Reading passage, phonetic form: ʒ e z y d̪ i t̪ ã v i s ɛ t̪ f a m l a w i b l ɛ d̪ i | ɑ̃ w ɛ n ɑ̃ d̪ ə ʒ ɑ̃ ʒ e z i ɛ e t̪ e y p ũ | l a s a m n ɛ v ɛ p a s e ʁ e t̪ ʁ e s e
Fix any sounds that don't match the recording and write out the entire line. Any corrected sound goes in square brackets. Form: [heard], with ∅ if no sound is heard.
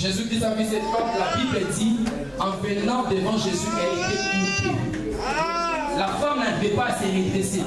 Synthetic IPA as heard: ʒ e z y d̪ i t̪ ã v i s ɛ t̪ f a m l a [b] i b l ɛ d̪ i | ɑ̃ [v] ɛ n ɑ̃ d̪ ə [v] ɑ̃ ʒ e z [y] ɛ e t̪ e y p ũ | l a [f] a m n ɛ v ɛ p a s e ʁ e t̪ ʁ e s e

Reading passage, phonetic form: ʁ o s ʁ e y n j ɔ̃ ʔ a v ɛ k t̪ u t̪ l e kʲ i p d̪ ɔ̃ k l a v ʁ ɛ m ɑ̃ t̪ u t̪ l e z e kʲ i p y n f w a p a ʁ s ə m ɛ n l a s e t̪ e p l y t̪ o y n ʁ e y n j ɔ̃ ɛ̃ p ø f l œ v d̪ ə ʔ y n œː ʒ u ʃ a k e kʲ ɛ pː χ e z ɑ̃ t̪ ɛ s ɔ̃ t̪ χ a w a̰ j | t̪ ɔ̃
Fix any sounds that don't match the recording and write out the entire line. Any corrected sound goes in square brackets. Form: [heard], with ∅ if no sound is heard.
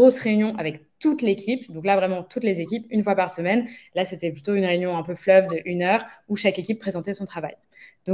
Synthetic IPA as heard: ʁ o s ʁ e y n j ɔ̃ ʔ a v ɛ k t̪ u t̪ l e kʲ i p d̪ ɔ̃ k l a v ʁ ɛ m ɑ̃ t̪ u t̪ l e z e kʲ i p y n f w a p a ʁ s ə m ɛ n l a s e t̪ [ɛ] p l y t̪ o y n ʁ e y n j ɔ̃ ɛ̃ p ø f l œ v d̪ ə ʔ y n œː [ʁ] u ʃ a k e kʲ [i] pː χ e z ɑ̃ t̪ ɛ s ɔ̃ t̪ χ a [v] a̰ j | [d̪] ɔ̃

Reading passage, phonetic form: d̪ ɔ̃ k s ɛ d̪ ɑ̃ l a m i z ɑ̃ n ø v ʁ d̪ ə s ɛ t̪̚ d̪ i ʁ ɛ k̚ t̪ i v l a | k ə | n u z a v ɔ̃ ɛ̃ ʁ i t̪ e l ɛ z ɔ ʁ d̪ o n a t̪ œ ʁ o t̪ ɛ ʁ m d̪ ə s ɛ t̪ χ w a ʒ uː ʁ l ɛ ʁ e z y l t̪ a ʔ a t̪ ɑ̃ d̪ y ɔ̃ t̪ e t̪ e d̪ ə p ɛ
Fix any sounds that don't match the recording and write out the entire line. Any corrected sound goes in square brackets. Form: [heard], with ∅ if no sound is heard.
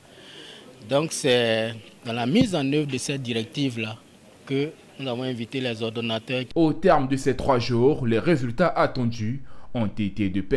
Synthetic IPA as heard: d̪ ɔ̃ k s ɛ d̪ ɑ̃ l a m i z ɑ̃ n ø v ʁ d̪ ə s ɛ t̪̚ d̪ i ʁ ɛ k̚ t̪ i v l a | k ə | n u z a v ɔ̃ ɛ̃ [v] i t̪ e l ɛ z ɔ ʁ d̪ o n a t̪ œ ʁ o t̪ ɛ ʁ m d̪ ə s ɛ t̪ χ w a ʒ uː ʁ l ɛ ʁ e z y l t̪ a ʔ a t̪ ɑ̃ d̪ y ɔ̃ t̪ e t̪ e d̪ ə p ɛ

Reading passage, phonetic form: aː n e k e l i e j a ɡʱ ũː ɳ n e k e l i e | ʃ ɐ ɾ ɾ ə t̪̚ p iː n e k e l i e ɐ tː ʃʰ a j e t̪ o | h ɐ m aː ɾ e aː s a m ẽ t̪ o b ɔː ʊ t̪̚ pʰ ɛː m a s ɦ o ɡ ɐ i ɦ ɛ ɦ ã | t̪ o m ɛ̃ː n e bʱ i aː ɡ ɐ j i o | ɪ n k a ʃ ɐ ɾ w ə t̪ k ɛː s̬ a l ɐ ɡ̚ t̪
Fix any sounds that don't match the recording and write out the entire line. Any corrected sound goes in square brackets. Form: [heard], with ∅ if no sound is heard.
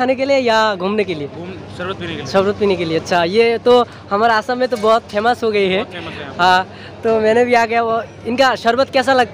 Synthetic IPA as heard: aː n e k e l i e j a ɡʱ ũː [m] n e k e l i e | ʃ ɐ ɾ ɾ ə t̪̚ p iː n e k e l i e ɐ tː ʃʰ a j e t̪ o | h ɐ m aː ɾ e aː s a m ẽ t̪ o b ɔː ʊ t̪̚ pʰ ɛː m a s ɦ o ɡ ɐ i ɦ ɛ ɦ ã | t̪ o m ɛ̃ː n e bʱ i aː ɡ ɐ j [a] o | ɪ n k a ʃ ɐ ɾ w ə t̪ k ɛː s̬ a l ɐ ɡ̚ t̪

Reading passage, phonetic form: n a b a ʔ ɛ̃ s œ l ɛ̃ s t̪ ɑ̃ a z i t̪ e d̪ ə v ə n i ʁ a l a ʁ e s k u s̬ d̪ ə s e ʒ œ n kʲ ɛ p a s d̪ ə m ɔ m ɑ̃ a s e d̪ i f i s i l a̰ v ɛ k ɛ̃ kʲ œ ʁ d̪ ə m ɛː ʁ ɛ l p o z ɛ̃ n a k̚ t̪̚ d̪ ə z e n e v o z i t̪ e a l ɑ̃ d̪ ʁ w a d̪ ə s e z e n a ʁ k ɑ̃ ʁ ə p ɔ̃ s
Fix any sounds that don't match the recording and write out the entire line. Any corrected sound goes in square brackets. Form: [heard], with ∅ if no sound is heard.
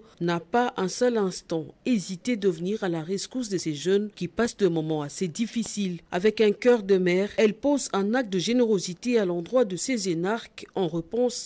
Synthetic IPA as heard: n a [p] a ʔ ɛ̃ s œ l ɛ̃ s t̪ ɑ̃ [e] z i t̪ e d̪ ə v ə n i ʁ a l a ʁ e s k u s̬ d̪ ə s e ʒ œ n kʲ [i] p a s d̪ ə m ɔ m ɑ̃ a s e d̪ i f i s i l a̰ v ɛ k ɛ̃ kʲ œ ʁ d̪ ə m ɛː ʁ ɛ l p o z ɛ̃ n a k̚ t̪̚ d̪ ə [ʒ] e n e [ʁ] o z i t̪ e a l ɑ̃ d̪ ʁ w a d̪ ə s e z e n a ʁ k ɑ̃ ʁ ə p ɔ̃ s

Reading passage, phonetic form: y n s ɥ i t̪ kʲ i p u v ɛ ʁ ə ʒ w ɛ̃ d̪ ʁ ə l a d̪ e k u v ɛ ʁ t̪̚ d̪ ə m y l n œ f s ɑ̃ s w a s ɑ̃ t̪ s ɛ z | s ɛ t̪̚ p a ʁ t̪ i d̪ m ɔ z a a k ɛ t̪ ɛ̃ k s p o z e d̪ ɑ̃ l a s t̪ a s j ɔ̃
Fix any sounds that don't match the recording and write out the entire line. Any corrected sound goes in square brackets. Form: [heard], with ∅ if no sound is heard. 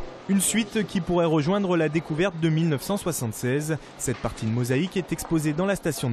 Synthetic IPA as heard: y n s ɥ i t̪ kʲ i p u [ʁ] ɛ ʁ ə ʒ w ɛ̃ d̪ ʁ ə l a d̪ e k u v ɛ ʁ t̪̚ d̪ ə m [i] l n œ f s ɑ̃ s w a s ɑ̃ t̪ s ɛ z | s ɛ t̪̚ p a ʁ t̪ i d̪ m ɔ z a [i] k ɛ t̪ [ɛ] k s p o z e d̪ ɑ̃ l a s t̪ a s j ɔ̃

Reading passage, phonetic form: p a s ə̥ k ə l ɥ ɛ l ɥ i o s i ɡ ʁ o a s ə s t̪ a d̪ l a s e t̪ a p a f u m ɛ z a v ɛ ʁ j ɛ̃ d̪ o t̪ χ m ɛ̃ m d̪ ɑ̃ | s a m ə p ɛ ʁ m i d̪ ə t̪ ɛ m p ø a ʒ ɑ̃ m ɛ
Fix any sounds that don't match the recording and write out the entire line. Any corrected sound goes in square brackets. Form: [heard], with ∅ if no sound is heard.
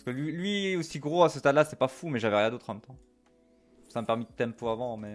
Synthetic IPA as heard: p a s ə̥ k ə l ɥ [i] l ɥ i o s i ɡ ʁ o a s ə s t̪ a d̪ l a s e t̪ [ɛ] p a f u m ɛ [ʒ] a v ɛ ʁ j ɛ̃ d̪ o t̪ χ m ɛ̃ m [t̪] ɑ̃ | s a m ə p ɛ ʁ m i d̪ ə t̪ ɛ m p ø a [v] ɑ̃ m ɛ

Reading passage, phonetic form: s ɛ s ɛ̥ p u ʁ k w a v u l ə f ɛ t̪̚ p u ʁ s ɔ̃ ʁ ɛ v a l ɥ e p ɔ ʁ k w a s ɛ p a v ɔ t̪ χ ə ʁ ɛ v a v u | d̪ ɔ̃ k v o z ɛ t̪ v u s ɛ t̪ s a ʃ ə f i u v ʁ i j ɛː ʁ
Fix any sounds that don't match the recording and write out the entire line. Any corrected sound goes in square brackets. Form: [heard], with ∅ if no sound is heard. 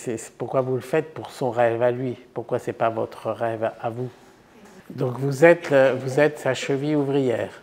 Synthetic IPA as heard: s ɛ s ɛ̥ p u ʁ k w a v u l ə f ɛ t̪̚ p u ʁ s ɔ̃ ʁ ɛ v a l ɥ [i] p [u] ʁ k w a s ɛ p a v ɔ t̪ χ ə ʁ ɛ v a v u | d̪ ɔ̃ k v [u] z ɛ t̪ v u [z] ɛ t̪ s a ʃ ə [v] i u v ʁ i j ɛː ʁ

